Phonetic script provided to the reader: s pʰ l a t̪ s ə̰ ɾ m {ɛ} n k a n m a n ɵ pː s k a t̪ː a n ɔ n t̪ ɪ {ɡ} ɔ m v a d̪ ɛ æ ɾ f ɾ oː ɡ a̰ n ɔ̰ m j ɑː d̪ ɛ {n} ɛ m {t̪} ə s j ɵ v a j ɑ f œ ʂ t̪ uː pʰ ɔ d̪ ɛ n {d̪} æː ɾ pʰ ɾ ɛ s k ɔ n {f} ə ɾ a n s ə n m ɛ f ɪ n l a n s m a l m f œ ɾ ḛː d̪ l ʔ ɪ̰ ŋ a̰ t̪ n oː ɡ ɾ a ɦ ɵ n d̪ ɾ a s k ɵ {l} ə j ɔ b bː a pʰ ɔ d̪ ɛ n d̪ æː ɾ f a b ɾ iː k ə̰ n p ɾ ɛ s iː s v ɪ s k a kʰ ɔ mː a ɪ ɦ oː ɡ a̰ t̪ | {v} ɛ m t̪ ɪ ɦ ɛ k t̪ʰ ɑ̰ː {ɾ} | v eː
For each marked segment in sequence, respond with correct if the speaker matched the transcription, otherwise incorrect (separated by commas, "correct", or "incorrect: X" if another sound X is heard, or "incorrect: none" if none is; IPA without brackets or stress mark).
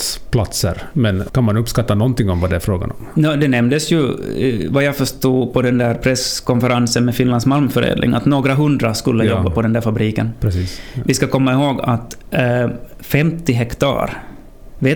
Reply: correct, incorrect: ŋ, correct, incorrect: d̪, correct, correct, incorrect: lː, incorrect: f, correct